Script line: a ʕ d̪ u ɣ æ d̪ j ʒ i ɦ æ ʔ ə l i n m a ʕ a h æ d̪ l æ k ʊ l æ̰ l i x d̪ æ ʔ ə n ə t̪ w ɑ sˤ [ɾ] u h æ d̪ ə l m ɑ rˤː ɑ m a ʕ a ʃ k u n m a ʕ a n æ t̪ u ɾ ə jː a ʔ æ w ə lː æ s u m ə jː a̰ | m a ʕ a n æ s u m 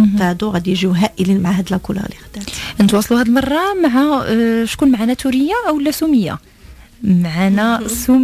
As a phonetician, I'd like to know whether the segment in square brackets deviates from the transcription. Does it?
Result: yes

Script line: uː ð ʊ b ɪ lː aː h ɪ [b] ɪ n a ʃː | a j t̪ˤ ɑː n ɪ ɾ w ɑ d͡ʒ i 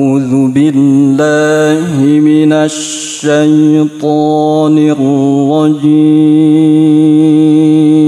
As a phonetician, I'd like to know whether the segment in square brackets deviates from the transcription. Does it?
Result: yes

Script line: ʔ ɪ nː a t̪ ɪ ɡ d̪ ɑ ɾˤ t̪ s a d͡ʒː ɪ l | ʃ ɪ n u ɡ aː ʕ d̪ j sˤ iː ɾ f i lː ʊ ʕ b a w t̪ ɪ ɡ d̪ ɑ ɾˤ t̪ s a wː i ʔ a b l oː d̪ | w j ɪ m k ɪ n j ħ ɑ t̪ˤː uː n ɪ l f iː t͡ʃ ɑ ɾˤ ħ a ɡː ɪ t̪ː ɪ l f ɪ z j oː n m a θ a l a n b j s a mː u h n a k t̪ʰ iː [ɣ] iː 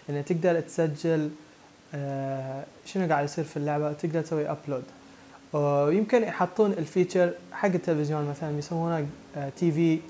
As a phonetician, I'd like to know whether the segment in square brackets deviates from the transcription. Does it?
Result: yes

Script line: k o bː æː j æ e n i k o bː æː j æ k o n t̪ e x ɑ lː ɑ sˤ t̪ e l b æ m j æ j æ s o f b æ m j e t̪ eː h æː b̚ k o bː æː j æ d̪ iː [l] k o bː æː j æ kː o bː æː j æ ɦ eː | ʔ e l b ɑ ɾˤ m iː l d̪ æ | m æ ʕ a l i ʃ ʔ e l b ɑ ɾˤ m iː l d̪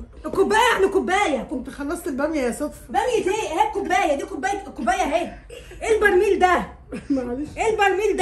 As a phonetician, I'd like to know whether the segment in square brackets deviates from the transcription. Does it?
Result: yes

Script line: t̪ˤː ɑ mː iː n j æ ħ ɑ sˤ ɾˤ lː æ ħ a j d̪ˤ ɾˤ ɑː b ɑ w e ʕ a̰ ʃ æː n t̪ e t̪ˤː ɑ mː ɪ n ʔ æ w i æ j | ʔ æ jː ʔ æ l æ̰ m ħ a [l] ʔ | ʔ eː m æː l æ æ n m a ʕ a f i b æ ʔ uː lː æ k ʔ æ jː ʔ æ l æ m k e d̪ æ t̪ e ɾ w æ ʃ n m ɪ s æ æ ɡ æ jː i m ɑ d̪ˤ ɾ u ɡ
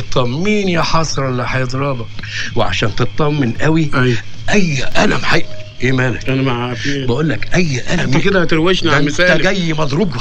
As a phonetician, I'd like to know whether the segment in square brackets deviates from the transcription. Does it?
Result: yes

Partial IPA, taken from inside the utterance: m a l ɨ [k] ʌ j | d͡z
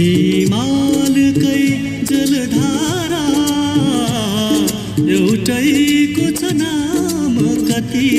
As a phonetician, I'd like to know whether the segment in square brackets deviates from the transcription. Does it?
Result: no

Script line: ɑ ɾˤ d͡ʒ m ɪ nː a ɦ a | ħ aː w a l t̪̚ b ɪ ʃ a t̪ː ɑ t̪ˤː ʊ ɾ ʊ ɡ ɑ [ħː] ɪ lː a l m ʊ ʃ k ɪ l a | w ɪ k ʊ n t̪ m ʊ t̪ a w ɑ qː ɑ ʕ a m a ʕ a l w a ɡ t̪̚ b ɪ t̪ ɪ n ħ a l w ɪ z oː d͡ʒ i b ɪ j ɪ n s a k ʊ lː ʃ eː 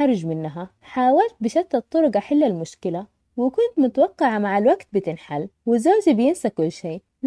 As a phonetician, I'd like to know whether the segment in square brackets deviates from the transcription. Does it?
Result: yes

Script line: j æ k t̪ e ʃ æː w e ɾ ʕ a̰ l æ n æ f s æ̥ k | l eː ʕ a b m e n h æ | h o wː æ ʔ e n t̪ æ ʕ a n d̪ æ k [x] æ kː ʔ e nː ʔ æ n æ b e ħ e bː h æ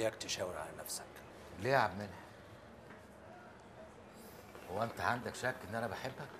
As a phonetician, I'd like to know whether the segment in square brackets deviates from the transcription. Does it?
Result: yes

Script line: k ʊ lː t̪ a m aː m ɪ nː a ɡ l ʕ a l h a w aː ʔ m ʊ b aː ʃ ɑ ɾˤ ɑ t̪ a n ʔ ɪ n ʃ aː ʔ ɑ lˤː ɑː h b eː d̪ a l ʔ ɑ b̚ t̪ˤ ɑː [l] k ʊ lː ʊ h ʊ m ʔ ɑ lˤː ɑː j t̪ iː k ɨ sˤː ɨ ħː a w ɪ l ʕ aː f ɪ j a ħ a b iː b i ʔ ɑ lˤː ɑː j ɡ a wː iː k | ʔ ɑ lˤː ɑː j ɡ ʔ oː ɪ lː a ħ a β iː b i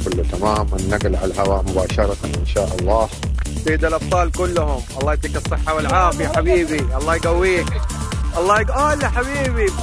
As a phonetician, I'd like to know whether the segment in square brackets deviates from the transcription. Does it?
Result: no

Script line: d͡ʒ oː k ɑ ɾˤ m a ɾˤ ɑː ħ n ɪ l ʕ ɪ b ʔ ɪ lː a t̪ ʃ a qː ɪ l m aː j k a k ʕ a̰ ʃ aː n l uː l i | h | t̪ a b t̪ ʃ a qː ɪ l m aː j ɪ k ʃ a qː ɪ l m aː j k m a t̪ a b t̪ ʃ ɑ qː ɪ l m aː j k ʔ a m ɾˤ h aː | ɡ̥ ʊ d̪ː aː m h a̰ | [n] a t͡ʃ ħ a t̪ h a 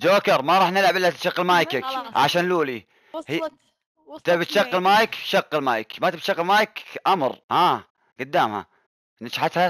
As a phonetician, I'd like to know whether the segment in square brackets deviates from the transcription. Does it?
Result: no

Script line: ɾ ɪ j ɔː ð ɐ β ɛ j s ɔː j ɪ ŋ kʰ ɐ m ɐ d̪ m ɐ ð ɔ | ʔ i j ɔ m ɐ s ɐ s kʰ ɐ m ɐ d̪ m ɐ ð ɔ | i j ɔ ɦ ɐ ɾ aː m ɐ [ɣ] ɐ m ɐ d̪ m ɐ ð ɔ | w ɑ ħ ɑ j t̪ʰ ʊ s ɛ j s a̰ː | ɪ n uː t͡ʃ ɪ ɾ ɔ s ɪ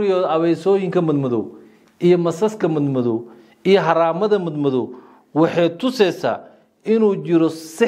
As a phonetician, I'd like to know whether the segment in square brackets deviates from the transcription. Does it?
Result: yes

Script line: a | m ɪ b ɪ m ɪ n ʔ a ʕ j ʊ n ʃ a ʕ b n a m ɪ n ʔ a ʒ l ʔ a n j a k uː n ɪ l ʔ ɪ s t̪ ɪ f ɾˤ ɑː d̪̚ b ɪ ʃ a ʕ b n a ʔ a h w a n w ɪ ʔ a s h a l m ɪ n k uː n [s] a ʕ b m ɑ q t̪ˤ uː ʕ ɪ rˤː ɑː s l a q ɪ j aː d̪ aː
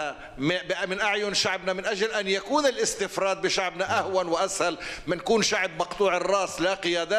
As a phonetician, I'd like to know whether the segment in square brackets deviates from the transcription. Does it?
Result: yes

